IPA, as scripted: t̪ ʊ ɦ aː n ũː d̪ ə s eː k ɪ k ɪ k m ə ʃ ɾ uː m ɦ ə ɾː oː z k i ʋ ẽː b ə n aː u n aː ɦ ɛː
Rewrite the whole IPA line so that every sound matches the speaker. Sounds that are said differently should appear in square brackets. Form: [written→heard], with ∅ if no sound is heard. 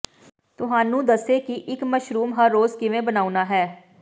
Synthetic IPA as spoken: t̪ ʊ ɦ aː n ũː d̪ ə s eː k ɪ [k→ʔ] ɪ k m ə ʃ ɾ uː m ɦ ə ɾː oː z k [i→ɪ] ʋ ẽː b ə n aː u n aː ɦ ɛː